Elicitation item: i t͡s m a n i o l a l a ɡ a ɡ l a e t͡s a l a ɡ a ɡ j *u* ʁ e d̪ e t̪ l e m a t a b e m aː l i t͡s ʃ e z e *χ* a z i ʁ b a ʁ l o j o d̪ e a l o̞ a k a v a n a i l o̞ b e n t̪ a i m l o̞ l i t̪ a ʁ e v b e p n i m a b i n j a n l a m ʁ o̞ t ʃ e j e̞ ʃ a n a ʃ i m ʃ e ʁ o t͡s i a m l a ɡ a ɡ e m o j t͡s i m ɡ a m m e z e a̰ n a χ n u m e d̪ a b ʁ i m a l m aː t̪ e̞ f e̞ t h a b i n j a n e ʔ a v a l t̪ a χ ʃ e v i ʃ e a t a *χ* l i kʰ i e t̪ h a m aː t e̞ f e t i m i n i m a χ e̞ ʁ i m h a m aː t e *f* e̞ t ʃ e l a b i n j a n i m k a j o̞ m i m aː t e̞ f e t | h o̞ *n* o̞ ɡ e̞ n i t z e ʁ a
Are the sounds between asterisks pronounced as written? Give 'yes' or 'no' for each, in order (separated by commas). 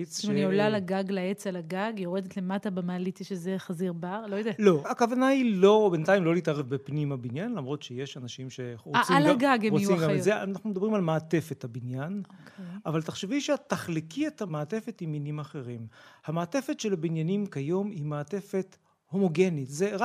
no, yes, yes, yes, no